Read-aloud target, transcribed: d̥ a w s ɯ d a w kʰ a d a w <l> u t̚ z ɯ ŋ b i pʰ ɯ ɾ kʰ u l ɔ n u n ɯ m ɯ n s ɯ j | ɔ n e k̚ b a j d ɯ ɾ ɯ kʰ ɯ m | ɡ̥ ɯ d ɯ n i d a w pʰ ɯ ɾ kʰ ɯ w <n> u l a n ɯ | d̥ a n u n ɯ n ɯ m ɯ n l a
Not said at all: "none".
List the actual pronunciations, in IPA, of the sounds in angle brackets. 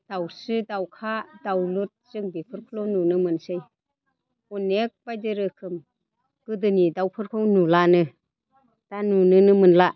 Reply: l, n

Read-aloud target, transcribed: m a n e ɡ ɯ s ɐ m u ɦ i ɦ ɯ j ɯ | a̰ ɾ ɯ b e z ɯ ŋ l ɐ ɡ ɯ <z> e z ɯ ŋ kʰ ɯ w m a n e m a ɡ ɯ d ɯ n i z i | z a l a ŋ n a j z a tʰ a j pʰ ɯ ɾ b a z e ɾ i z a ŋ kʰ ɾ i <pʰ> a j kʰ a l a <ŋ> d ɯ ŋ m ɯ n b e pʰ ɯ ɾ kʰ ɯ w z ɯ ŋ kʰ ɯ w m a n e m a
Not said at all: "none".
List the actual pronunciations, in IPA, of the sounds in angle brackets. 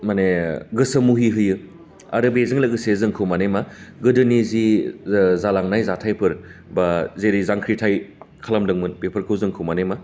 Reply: s, tʰ, m

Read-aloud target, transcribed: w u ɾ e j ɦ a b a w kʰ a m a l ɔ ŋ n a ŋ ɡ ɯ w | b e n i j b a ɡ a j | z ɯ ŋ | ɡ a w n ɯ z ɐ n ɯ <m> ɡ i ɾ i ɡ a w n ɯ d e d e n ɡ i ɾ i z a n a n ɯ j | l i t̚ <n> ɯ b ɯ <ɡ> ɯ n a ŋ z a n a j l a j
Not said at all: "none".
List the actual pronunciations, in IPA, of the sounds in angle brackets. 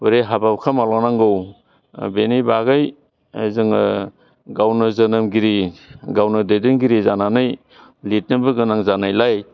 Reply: m, n, ɡ

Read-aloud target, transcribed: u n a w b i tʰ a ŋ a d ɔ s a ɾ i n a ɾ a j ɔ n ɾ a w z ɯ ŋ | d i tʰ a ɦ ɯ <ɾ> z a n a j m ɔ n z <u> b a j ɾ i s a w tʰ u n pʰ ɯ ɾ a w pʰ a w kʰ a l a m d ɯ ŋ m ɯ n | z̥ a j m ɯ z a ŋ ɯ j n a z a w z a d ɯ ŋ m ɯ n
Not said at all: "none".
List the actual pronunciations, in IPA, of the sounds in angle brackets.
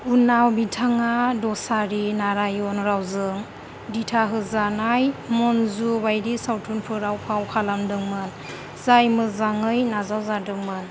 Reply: none, u

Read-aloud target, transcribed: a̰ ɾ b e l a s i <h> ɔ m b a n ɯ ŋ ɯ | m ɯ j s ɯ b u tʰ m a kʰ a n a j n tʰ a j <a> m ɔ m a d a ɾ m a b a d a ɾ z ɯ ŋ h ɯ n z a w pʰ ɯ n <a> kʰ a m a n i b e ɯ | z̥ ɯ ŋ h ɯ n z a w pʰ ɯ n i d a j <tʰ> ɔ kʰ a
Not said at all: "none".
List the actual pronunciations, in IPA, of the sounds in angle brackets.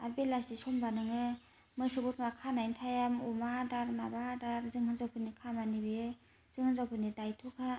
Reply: s, a, i, tʰ

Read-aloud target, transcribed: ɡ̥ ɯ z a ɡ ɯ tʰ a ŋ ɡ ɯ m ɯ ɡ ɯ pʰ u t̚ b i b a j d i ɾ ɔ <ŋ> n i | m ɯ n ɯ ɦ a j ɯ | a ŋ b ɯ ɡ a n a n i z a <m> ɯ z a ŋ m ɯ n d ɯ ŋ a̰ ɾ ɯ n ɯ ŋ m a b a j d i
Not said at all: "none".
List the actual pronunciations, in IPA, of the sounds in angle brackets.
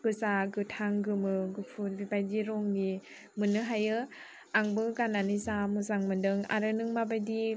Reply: ŋ, m

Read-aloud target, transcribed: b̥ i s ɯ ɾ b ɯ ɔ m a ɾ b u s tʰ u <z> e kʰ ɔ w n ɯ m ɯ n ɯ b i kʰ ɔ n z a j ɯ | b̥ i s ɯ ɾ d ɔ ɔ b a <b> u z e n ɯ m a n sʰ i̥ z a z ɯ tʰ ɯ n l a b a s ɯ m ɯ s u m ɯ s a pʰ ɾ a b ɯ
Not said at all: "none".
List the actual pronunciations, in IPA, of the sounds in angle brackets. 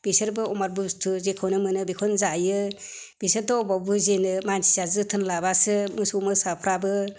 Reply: z, b

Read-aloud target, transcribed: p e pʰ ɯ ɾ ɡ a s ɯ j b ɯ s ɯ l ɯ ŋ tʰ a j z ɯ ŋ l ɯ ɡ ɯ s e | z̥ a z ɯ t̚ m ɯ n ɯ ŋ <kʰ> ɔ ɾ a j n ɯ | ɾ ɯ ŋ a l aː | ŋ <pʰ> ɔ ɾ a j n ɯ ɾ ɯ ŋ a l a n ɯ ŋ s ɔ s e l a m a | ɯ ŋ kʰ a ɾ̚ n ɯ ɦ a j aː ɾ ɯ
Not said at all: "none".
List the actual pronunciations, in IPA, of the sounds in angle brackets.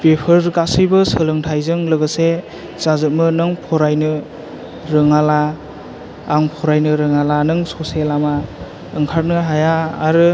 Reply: pʰ, pʰ

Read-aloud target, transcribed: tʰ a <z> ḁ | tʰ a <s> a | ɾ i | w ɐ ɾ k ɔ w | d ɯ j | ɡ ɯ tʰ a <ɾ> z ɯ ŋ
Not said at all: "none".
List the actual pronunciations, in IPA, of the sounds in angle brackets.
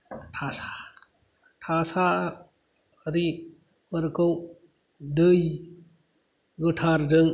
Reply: s, s, ɾ

